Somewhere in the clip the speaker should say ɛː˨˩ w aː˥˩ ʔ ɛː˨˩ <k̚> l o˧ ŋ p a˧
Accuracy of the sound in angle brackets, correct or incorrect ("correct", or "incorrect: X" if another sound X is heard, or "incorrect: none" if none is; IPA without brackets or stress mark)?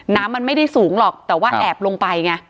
incorrect: p̚